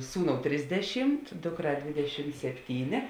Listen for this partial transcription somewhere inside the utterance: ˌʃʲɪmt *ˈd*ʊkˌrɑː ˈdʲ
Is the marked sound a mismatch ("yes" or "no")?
no